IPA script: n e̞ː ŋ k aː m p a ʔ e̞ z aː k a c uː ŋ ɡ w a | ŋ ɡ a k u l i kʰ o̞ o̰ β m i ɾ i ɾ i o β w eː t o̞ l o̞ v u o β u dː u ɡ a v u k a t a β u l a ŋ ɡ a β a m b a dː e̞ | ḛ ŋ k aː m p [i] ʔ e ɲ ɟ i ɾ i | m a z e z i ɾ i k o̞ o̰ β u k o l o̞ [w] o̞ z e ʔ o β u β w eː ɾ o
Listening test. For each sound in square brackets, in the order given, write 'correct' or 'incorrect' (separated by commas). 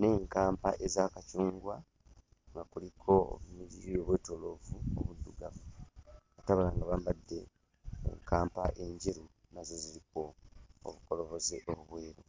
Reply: incorrect, incorrect